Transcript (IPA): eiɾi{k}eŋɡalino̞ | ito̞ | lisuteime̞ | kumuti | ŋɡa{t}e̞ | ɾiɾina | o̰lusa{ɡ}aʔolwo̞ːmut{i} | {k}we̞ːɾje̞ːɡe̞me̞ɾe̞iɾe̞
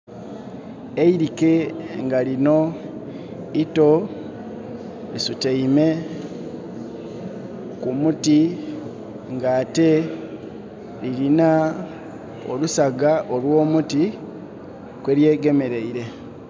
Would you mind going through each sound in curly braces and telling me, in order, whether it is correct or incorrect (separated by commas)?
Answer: correct, correct, correct, correct, correct